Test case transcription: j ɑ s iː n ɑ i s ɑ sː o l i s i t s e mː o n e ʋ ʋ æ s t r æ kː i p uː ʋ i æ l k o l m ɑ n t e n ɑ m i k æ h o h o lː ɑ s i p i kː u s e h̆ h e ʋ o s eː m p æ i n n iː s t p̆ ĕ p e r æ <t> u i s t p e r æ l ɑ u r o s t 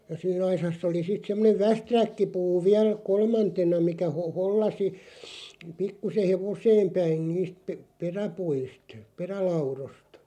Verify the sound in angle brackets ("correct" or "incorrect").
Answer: incorrect